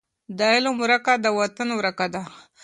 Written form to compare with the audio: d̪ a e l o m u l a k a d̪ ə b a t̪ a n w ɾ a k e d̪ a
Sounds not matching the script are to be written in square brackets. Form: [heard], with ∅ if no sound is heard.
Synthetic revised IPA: d̪ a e l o m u [ɾ] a k a d̪ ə [w] a t̪ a n w ɾ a k [a] d̪ a